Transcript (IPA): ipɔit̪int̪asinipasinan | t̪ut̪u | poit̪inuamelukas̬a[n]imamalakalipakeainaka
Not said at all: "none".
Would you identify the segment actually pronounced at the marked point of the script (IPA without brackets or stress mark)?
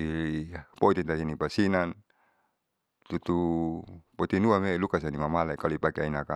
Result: n